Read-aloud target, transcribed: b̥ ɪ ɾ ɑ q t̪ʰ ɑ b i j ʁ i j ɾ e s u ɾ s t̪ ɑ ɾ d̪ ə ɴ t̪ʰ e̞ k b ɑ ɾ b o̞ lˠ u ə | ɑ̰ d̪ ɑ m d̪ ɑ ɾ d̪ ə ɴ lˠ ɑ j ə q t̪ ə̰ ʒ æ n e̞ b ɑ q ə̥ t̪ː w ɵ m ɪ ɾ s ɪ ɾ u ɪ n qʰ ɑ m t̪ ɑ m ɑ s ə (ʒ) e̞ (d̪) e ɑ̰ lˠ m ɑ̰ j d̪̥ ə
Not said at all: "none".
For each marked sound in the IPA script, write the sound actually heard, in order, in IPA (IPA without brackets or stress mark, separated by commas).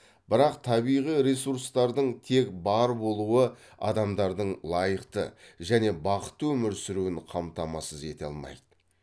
z, t̪